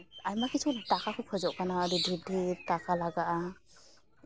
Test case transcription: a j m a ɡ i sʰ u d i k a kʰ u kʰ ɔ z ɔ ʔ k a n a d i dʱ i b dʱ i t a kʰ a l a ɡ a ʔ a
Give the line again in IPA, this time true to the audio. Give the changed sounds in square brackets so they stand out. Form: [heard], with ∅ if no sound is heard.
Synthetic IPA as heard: a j m a [k] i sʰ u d [a] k a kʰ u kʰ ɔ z ɔ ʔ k a n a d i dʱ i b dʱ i t a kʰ a l a ɡ a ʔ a